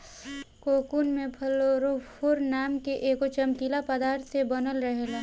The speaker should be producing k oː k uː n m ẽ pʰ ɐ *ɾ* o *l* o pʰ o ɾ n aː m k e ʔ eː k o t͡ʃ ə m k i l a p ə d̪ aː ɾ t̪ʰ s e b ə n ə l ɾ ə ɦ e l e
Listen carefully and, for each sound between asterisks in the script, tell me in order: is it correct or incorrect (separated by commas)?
incorrect, incorrect